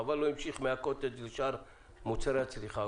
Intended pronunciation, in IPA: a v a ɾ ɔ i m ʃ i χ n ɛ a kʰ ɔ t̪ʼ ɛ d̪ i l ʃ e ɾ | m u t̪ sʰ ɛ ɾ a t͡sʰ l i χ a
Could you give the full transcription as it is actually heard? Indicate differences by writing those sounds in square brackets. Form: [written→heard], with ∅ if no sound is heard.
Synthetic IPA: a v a [ɾ→l] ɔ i m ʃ i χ [n→m] ɛ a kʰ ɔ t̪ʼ ɛ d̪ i l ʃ [e→a] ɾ | m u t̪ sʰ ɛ ɾ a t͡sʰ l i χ a